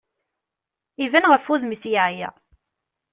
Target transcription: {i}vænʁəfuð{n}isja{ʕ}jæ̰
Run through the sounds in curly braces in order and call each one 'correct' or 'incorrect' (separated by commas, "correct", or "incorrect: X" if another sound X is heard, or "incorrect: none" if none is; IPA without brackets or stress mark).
correct, incorrect: m, correct